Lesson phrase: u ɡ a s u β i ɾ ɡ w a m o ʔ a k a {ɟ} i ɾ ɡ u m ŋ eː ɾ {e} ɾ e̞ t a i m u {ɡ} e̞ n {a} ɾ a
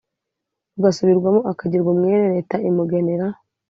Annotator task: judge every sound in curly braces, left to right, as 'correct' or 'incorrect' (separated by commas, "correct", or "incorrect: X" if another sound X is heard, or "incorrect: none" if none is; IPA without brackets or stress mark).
correct, correct, correct, incorrect: e